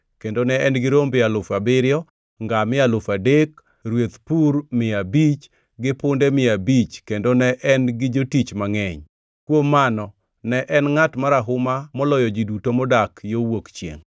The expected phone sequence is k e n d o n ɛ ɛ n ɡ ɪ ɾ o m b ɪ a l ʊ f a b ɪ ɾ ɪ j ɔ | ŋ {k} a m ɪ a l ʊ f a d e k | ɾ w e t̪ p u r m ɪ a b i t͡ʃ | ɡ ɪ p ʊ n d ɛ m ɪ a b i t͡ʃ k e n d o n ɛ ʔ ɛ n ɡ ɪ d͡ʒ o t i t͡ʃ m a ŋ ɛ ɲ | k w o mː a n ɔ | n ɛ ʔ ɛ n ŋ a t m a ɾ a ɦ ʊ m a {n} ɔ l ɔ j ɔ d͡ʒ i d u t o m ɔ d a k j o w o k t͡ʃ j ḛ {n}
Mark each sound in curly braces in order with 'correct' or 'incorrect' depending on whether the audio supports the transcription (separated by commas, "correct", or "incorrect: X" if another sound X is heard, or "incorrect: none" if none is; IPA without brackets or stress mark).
incorrect: ɡ, incorrect: m, incorrect: ŋ